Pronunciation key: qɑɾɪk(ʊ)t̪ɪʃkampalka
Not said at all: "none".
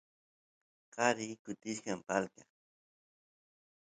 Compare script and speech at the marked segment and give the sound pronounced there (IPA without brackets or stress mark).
ʊ